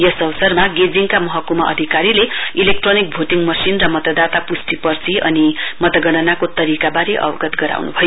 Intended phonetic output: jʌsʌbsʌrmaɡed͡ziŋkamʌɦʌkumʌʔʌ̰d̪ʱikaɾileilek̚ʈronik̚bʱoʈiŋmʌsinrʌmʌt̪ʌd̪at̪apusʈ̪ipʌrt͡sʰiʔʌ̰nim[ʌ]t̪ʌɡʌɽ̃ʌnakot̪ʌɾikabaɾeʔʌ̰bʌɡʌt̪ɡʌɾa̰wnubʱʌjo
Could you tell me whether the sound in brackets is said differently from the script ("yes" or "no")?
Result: no